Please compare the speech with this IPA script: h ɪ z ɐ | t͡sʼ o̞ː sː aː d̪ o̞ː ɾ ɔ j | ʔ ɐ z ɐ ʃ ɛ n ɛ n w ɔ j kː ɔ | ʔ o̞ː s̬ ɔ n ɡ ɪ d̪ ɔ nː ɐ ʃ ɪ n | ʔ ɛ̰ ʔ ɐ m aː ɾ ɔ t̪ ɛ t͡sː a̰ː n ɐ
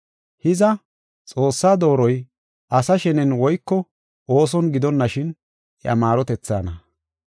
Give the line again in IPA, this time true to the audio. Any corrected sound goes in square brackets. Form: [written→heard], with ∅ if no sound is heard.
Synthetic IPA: h ɪ z ɐ | t͡sʼ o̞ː sː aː d̪ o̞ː ɾ ɔ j | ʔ ɐ [z→s] ɐ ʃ ɛ n ɛ n w ɔ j kː ɔ | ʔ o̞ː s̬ ɔ n ɡ ɪ d̪ ɔ nː ɐ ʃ ɪ n | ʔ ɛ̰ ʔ ɐ m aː ɾ ɔ t̪ ɛ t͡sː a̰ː n ɐ

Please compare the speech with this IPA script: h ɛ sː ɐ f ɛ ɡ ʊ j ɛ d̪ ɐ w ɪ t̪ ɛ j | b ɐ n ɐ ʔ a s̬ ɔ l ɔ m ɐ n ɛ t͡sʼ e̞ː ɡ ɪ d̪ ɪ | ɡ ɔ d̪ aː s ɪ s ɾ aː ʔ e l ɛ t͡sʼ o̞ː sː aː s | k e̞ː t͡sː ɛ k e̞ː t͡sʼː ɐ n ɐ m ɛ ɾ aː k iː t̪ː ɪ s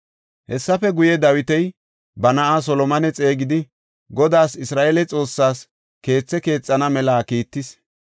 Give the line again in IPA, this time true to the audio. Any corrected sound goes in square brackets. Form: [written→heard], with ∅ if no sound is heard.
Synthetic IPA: h ɛ sː ɐ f ɛ ɡ ʊ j ɛ d̪ ɐ w ɪ t̪ ɛ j | b ɐ n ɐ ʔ a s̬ ɔ l ɔ m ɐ n ɛ t͡sʼ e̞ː ɡ ɪ d̪ ɪ | ɡ ɔ d̪ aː s ɪ s ɾ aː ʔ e l ɛ t͡sʼ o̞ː sː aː s | k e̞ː t͡sː ɛ k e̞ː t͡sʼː ɐ n ɐ m ɛ [ɾ→l] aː k iː t̪ː ɪ s

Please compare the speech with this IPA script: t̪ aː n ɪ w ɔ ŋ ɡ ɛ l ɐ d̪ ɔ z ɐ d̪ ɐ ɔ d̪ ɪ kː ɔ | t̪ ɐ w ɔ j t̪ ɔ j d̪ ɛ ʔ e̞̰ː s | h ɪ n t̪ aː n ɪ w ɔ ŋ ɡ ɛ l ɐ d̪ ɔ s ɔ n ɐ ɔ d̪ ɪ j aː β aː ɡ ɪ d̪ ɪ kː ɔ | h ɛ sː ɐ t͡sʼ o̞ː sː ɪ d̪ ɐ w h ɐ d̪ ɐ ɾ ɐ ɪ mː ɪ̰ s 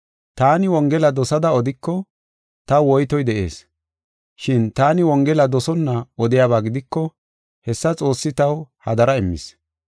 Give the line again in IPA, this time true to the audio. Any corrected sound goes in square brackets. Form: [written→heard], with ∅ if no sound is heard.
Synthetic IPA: t̪ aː n ɪ w ɔ ŋ ɡ ɛ l ɐ d̪ ɔ [z→s] ɐ d̪ ɐ ɔ d̪ ɪ kː ɔ | t̪ ɐ w ɔ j t̪ ɔ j d̪ ɛ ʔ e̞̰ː s | [h→ʃ] ɪ n t̪ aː n ɪ w ɔ ŋ ɡ ɛ l ɐ d̪ ɔ s ɔ [n→nː] ɐ ɔ d̪ ɪ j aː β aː ɡ ɪ d̪ ɪ kː ɔ | h ɛ sː ɐ t͡sʼ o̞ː sː ɪ [d̪→t̪] ɐ w h ɐ d̪ ɐ ɾ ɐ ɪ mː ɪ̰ s

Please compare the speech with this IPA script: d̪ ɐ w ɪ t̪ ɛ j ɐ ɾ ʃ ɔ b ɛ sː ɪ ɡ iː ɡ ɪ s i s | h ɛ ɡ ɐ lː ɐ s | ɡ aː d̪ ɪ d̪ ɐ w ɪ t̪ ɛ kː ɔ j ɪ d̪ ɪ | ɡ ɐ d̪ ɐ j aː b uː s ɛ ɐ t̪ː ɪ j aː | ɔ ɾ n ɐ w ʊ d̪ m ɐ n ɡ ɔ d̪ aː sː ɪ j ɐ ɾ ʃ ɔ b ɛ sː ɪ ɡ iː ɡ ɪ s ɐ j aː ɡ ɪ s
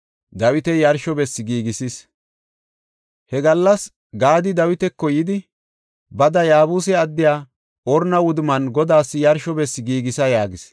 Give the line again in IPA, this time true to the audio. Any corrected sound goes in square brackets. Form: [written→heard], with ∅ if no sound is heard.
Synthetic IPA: d̪ ɐ w ɪ t̪ ɛ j ɐ ɾ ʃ ɔ b ɛ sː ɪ ɡ iː ɡ ɪ s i s | h ɛ ɡ ɐ lː ɐ s | ɡ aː d̪ ɪ d̪ ɐ w ɪ t̪ ɛ kː ɔ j ɪ d̪ ɪ | [ɡ→b] ɐ d̪ ɐ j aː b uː s ɛ ɐ [t̪ː→d̪ː] ɪ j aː | ɔ ɾ n ɐ w ʊ d̪ m ɐ n ɡ ɔ d̪ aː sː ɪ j ɐ ɾ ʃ ɔ b ɛ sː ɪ ɡ iː ɡ ɪ s ɐ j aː ɡ ɪ s

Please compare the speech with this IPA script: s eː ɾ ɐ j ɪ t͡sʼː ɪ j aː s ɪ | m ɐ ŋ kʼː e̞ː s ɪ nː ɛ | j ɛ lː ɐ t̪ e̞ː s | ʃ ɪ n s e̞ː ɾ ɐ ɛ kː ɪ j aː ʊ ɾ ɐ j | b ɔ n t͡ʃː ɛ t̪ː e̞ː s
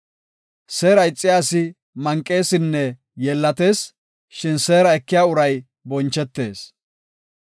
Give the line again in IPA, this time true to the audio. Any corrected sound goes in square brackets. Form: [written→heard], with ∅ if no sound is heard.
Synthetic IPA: s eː ɾ ɐ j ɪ t͡sʼː ɪ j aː s ɪ | m ɐ ŋ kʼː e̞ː s ɪ nː ɛ | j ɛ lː ɐ t̪ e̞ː s | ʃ ɪ n s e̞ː ɾ ɐ ɛ kː ɪ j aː ʊ ɾ ɐ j | b ɔ n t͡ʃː ɛ t̪ː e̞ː s

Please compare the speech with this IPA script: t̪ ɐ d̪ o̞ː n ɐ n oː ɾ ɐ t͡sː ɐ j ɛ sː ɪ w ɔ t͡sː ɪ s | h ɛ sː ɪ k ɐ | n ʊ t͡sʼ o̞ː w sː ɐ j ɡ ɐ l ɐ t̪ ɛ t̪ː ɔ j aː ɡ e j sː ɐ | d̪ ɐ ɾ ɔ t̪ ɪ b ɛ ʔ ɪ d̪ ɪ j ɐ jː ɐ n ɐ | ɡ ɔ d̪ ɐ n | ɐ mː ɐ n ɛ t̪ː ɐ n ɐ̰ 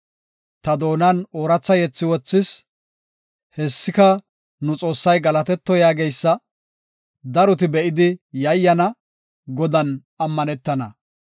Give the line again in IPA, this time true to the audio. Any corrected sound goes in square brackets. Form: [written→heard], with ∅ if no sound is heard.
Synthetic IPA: t̪ ɐ d̪ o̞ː n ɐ n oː ɾ ɐ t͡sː ɐ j ɛ [sː→t͡sː] ɪ w ɔ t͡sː ɪ s | h ɛ sː ɪ k ɐ | n ʊ t͡sʼ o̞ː [w→∅] sː ɐ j ɡ ɐ l ɐ t̪ ɛ t̪ː ɔ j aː ɡ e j sː ɐ | d̪ ɐ ɾ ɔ t̪ ɪ b ɛ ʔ ɪ d̪ ɪ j ɐ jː ɐ n ɐ | ɡ ɔ d̪ ɐ n | ɐ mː ɐ n ɛ t̪ː ɐ n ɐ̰

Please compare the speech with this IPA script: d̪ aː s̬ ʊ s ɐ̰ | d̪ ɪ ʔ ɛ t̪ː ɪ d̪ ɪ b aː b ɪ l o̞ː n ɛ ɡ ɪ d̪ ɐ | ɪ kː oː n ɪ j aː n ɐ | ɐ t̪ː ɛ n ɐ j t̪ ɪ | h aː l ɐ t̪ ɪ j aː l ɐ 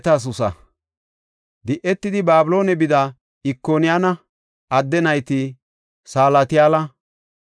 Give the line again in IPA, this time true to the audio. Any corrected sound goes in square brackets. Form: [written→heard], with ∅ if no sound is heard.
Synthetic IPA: [d̪→t̪] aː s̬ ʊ s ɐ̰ | d̪ ɪ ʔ ɛ t̪ː ɪ d̪ ɪ b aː b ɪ l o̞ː n ɛ [ɡ→b] ɪ d̪ ɐ | ɪ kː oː n ɪ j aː n ɐ | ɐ [t̪ː→d̪ː] ɛ n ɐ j t̪ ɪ | [h→s] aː l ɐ t̪ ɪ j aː l ɐ

